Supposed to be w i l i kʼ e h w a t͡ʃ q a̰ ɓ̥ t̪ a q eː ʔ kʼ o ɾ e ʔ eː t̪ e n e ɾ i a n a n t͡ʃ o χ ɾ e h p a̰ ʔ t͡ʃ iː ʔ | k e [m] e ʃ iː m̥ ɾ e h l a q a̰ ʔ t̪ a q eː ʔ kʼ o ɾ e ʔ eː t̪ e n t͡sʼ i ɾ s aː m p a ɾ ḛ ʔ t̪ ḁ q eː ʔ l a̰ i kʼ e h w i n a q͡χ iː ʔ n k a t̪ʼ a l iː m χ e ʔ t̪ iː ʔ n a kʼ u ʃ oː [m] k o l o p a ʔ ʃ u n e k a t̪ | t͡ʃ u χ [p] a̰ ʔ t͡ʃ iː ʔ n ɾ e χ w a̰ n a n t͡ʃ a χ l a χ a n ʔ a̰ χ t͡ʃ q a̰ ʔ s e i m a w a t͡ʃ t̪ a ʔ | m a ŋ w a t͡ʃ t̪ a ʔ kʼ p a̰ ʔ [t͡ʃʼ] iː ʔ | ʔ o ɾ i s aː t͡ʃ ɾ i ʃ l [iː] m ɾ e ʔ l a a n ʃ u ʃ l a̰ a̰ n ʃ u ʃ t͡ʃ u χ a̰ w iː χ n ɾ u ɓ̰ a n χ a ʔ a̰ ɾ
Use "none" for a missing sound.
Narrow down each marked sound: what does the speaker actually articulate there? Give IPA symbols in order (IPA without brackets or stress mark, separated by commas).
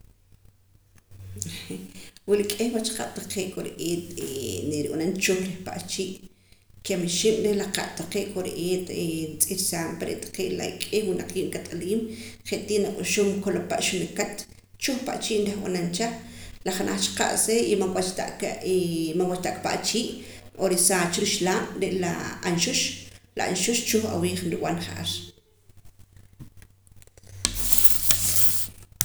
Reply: m, m, p, t͡ʃ, aː